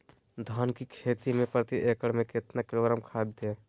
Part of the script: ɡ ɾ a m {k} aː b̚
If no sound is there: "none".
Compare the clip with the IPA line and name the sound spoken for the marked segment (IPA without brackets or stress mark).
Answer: kʰ